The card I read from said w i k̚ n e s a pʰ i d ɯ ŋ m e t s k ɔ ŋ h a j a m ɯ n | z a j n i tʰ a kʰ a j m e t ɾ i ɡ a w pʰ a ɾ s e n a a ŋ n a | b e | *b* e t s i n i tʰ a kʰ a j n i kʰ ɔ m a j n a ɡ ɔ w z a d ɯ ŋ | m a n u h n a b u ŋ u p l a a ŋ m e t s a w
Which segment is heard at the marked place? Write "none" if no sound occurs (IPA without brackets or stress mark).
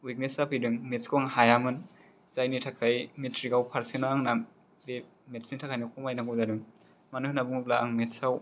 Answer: m